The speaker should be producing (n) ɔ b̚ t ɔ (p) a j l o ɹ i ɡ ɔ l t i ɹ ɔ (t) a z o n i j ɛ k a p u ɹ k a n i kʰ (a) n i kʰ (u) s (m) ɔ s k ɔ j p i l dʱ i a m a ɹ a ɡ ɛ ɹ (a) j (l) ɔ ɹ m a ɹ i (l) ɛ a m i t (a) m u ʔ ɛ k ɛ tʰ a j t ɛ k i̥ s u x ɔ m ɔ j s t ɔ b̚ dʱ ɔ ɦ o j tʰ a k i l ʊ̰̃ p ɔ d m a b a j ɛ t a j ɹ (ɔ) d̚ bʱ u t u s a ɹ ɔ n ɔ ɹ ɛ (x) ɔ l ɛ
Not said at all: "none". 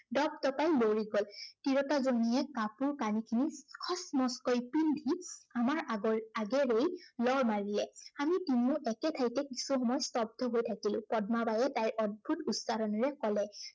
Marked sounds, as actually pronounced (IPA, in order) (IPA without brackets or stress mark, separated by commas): d, p, t, i, ɔ, m, e, l, l, i, ɔ, k